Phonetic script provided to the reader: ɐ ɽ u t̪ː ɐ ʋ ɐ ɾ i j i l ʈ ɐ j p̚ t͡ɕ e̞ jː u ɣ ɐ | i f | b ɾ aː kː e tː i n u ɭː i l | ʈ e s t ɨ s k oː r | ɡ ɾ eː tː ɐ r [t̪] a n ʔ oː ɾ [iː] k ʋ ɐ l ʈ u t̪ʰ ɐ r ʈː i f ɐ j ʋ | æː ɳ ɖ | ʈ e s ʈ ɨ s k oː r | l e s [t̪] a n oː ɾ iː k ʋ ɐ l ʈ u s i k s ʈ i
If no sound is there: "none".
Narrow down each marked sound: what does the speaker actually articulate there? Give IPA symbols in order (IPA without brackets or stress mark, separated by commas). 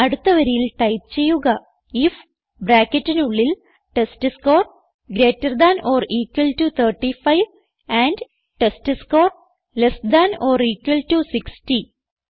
d̪, iː, d̪